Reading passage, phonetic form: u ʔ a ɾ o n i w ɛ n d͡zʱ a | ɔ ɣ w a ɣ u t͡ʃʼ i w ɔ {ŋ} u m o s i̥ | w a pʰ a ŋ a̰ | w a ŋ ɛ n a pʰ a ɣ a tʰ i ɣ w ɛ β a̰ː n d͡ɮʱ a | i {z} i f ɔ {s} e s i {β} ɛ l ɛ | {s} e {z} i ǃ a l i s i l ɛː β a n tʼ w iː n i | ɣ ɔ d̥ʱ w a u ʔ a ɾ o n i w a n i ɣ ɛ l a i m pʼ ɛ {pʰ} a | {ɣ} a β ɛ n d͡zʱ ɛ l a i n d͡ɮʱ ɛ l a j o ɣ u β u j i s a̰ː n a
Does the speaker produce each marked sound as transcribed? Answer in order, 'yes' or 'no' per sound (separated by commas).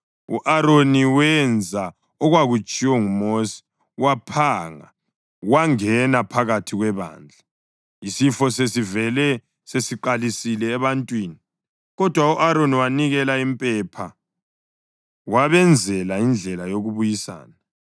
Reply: yes, no, yes, no, yes, no, yes, no